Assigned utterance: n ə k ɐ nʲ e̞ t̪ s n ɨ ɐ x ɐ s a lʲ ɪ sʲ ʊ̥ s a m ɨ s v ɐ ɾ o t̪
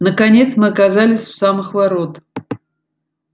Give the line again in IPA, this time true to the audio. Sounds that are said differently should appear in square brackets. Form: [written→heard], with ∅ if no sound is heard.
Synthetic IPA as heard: n ə k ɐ nʲ e̞ t̪ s [n→m] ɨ ɐ [x→k] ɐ [s→z] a lʲ ɪ sʲ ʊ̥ s a m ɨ [s→x] v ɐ ɾ o t̪